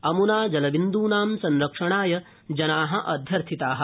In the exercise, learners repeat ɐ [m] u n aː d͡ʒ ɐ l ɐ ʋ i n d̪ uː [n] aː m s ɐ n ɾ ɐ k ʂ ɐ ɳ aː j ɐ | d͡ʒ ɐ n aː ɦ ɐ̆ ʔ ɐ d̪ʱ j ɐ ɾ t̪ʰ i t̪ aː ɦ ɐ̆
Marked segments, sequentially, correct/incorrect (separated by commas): correct, correct